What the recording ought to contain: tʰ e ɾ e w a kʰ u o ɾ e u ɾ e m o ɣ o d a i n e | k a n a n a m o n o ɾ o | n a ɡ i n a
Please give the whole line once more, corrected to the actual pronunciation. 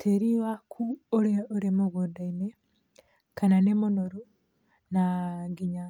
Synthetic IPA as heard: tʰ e ɾ i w a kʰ u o ɾ e o ɾ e m o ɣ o d a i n e | k a n a n e m o n o ɾ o | n a ɡ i ɲ a